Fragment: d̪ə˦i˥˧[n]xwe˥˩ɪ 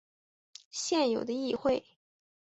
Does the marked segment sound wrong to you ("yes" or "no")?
yes